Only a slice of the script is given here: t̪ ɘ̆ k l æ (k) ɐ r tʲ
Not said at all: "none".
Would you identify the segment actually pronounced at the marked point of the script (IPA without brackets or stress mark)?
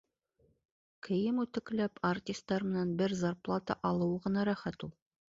p